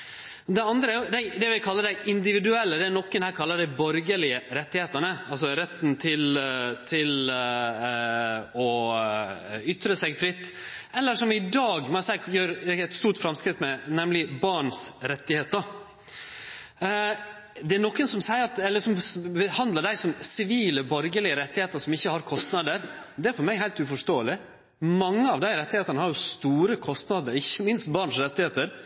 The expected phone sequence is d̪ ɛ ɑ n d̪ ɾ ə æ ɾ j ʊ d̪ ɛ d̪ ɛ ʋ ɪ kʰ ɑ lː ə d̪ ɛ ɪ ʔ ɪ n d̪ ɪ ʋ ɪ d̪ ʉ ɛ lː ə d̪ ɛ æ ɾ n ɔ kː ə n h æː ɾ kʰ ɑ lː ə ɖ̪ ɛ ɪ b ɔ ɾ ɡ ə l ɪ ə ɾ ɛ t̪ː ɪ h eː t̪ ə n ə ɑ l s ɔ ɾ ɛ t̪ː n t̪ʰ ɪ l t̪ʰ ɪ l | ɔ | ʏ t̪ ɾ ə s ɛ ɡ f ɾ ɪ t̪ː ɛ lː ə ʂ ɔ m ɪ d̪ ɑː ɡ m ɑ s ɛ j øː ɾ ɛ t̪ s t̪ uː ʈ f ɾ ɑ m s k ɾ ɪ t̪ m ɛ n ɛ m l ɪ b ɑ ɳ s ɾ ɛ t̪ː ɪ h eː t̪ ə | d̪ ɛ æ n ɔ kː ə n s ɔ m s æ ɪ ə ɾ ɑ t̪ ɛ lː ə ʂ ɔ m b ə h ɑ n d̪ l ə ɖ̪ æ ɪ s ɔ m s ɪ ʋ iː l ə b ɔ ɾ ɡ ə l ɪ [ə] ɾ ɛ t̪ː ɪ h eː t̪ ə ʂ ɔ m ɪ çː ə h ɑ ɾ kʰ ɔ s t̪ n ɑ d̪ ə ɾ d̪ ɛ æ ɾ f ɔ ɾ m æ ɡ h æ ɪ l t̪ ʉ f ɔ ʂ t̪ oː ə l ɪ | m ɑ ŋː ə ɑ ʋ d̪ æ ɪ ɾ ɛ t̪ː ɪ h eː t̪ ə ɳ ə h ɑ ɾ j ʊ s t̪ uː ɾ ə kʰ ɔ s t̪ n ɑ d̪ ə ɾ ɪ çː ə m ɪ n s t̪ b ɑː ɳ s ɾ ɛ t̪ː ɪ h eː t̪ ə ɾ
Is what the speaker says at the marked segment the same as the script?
yes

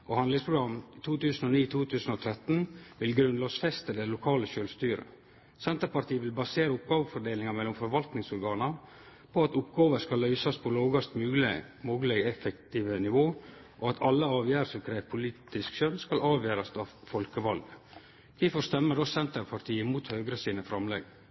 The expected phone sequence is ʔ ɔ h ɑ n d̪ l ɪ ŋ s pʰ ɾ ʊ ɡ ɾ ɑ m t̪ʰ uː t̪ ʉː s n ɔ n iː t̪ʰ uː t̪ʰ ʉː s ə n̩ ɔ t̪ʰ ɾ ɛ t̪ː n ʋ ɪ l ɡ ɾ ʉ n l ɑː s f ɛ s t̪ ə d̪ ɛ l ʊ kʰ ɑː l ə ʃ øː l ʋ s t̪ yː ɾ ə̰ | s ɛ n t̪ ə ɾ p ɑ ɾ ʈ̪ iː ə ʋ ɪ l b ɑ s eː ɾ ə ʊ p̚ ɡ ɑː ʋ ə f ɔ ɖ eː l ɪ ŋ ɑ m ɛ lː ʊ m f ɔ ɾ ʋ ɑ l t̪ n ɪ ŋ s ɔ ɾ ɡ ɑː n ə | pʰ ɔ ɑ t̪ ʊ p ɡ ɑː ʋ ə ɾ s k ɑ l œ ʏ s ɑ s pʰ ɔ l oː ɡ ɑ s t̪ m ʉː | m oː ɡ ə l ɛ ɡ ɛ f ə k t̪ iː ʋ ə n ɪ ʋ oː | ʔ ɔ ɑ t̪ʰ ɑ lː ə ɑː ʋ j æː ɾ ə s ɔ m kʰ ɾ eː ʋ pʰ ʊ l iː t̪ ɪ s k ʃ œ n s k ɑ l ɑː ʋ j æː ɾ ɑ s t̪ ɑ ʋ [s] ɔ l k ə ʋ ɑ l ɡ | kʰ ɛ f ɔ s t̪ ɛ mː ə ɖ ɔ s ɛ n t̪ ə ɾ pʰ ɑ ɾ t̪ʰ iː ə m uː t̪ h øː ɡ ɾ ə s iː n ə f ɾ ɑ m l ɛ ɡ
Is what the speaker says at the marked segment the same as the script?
no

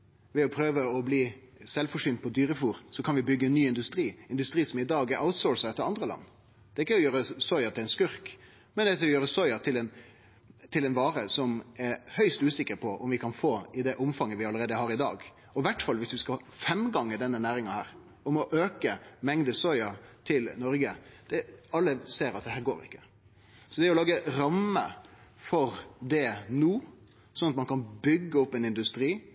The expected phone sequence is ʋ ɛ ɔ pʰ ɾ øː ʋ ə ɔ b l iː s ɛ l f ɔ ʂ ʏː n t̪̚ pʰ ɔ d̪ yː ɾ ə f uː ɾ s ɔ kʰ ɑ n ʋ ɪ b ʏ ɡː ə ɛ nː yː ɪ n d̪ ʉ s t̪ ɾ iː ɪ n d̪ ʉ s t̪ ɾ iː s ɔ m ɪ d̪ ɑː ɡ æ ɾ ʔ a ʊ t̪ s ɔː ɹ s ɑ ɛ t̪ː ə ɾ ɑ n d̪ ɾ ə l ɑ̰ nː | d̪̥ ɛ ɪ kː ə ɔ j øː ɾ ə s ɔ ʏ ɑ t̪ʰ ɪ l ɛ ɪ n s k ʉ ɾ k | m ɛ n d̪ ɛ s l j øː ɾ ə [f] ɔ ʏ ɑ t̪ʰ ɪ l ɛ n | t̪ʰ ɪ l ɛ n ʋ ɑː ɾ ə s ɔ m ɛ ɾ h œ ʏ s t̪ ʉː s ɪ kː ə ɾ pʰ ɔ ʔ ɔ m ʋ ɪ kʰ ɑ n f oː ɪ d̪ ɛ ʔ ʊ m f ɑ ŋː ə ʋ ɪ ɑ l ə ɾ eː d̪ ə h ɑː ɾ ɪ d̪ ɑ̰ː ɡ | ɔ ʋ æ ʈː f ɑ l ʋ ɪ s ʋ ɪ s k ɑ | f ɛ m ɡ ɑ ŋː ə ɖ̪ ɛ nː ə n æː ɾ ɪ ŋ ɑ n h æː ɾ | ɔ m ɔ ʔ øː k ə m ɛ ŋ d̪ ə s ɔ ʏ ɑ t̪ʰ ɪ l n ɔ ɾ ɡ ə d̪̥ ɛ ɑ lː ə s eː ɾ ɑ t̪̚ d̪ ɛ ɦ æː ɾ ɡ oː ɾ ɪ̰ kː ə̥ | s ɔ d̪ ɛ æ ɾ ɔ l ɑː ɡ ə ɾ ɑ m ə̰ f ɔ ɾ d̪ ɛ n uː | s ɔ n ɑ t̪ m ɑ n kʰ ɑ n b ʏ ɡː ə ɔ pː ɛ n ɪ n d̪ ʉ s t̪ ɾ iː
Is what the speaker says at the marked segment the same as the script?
no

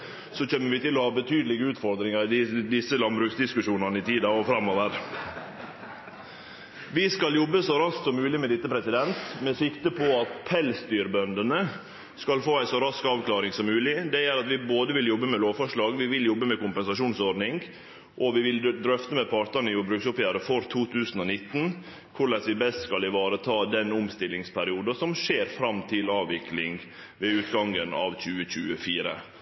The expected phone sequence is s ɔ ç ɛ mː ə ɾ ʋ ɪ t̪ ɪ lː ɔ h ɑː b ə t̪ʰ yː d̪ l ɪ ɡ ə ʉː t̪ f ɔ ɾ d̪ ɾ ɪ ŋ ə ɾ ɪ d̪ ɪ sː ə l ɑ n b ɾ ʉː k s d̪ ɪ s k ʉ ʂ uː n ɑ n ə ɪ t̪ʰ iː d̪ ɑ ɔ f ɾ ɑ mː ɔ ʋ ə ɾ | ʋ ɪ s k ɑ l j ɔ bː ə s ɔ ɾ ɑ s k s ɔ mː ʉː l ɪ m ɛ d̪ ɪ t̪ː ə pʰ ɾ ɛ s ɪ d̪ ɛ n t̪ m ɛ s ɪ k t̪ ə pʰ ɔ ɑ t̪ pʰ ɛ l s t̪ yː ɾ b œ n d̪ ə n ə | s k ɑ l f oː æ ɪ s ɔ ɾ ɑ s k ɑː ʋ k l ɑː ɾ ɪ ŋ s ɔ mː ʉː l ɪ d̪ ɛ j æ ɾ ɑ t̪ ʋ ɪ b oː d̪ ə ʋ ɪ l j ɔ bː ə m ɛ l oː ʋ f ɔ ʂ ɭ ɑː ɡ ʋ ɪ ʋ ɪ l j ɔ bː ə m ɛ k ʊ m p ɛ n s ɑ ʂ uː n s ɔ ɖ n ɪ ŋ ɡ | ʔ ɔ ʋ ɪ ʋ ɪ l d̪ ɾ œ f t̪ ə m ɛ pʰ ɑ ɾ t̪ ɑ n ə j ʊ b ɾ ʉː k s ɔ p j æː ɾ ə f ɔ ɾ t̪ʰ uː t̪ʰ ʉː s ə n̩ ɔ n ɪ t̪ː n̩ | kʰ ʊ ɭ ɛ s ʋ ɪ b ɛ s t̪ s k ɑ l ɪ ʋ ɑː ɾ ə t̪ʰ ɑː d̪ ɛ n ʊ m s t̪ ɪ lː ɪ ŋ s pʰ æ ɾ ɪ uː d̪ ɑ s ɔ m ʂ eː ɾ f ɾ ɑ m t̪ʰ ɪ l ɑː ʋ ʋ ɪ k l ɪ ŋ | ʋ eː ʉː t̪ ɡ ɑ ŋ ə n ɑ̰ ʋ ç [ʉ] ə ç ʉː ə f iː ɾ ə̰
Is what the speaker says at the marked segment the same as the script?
no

